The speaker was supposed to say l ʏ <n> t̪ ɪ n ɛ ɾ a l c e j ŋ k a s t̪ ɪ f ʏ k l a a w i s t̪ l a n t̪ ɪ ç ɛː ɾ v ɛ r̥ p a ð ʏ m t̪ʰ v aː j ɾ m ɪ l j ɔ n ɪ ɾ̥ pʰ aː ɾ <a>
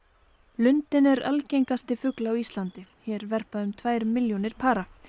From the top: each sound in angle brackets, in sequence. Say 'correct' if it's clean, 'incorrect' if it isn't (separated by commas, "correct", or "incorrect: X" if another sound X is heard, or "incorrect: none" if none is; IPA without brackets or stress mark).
correct, correct